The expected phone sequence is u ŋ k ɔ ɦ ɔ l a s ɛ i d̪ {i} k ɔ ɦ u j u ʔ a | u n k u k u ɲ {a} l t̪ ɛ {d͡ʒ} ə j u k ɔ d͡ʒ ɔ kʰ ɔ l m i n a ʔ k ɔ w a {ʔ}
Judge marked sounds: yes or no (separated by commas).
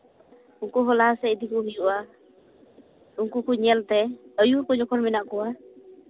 yes, no, no, no